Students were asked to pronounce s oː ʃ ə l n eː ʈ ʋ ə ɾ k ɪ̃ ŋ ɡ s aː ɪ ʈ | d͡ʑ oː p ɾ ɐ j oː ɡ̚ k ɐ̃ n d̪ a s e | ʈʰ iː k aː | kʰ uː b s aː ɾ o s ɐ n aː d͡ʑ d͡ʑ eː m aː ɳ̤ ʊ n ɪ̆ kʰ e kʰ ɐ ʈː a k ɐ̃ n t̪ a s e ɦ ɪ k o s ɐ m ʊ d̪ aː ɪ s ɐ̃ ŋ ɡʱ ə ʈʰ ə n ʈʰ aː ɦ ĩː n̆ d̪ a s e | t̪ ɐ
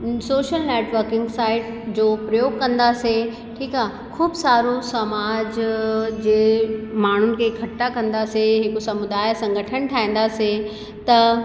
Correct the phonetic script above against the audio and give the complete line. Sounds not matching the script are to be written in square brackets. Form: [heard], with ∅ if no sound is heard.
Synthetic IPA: s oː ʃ ə l n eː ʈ ʋ ə ɾ k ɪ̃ ŋ ɡ s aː ɪ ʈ | d͡ʑ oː p ɾ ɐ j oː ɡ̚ k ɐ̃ n d̪ a s e | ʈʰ iː k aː | kʰ uː b s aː ɾ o s ɐ [m] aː d͡ʑ d͡ʑ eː m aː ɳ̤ ʊ n ɪ̆ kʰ e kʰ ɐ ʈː a k ɐ̃ n [d̪] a s e ɦ ɪ k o s ɐ m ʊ d̪ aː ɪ s ɐ̃ ŋ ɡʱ ə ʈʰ ə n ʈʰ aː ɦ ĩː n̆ d̪ a s e | t̪ ɐ